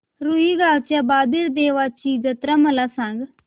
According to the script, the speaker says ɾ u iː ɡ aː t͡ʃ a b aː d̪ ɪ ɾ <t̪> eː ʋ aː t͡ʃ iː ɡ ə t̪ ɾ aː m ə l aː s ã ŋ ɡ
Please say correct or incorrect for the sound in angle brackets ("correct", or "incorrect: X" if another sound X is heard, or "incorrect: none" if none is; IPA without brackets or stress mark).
incorrect: d̪